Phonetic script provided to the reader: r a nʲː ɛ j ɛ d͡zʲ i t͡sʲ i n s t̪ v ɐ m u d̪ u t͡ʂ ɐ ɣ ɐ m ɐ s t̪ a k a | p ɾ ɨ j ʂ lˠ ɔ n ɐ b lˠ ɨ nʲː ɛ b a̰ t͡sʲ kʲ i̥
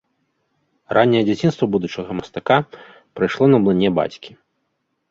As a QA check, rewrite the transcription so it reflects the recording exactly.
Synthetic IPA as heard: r a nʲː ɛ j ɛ d͡zʲ a t͡sʲ i n s t̪ v ɐ b u d̪ u t͡ʂ ɐ ɣ ɐ m ɐ s t̪ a k a | p ɾ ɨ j ʂ lˠ ɔ n ɐ b lˠ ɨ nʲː ɛ b a̰ t͡sʲ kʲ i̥